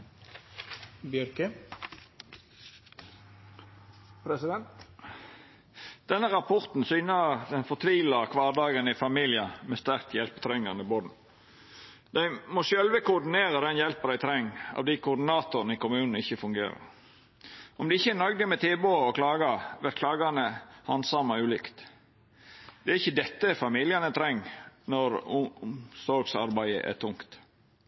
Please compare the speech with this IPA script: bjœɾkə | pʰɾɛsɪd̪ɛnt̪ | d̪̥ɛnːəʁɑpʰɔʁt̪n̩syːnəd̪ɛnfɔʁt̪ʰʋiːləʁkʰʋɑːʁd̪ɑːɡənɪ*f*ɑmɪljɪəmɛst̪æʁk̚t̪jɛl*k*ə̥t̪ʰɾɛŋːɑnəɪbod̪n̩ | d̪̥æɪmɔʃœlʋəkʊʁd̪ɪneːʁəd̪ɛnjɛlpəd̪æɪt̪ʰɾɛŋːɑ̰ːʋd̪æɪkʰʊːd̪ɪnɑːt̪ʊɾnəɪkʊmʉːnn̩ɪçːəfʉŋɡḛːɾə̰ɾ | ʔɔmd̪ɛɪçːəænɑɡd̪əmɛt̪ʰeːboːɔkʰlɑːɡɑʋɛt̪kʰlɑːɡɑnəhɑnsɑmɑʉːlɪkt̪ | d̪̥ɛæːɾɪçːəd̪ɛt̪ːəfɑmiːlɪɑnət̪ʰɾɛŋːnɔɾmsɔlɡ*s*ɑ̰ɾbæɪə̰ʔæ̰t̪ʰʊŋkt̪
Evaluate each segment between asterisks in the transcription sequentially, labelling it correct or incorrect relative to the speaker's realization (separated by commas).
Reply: correct, incorrect, correct